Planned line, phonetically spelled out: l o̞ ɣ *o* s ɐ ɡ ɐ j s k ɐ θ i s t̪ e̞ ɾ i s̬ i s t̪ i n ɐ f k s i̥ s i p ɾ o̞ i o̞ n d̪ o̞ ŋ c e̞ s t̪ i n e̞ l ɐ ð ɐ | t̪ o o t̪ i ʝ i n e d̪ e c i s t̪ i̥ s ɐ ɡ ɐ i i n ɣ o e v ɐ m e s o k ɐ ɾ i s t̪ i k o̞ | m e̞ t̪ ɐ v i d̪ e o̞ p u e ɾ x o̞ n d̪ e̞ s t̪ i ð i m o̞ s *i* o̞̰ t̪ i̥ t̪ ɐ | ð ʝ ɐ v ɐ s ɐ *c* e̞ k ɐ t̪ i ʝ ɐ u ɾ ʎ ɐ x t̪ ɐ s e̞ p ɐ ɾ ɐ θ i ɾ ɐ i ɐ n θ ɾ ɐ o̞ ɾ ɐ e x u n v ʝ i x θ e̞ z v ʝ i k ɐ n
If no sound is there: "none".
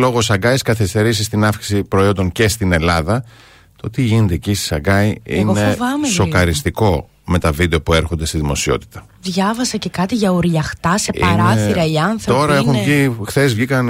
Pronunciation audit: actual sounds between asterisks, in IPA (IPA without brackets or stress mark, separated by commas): o, i, c